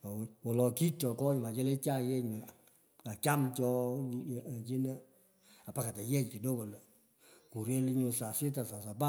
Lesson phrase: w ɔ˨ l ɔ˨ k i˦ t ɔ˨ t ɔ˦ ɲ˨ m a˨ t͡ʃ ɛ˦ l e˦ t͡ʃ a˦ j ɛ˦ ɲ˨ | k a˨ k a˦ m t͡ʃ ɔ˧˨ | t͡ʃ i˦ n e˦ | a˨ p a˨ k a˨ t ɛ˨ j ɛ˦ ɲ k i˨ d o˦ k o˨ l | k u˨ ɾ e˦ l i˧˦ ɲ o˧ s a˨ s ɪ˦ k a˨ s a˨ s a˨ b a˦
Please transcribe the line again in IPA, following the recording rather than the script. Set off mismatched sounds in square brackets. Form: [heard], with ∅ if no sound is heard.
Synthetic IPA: w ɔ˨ l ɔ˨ k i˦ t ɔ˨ [k] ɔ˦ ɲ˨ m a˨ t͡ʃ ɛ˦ l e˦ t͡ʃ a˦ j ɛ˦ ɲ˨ | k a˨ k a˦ m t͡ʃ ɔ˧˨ | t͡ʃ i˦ n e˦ | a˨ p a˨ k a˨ t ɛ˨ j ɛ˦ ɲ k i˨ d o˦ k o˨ l | k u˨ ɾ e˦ l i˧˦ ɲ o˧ s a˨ s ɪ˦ [t] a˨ s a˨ s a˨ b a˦